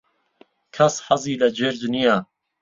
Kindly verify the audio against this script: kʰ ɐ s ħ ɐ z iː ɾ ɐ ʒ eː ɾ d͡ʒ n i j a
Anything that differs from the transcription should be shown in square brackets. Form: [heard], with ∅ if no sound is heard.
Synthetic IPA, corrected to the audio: kʰ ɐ s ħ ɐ z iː [l] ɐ [d͡ʒ] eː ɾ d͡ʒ n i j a